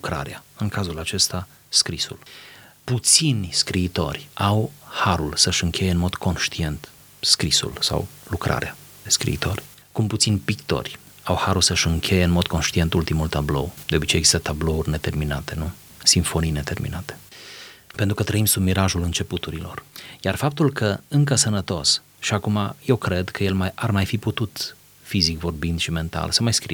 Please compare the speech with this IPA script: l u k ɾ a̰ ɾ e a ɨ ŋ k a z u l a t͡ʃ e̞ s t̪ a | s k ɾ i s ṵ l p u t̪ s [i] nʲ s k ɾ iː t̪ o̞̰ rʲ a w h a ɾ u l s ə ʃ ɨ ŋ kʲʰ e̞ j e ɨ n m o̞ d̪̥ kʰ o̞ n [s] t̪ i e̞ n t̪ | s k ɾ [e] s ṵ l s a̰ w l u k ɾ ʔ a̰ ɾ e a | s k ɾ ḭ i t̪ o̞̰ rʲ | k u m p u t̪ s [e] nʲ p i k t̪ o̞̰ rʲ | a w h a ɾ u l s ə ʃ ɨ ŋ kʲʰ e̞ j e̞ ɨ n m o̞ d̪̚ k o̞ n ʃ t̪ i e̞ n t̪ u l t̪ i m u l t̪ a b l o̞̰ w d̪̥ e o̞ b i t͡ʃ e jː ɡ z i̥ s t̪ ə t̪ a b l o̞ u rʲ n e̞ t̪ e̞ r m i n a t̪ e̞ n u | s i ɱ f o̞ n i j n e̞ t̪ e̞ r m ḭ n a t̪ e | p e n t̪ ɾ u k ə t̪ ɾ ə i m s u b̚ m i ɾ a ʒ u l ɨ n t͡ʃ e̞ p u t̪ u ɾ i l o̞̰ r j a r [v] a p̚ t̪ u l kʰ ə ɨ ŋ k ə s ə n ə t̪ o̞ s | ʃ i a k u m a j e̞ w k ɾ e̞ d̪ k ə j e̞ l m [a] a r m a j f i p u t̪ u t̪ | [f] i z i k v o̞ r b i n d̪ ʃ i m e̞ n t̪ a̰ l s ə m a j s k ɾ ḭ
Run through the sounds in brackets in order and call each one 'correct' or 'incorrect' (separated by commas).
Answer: correct, incorrect, incorrect, incorrect, incorrect, correct, correct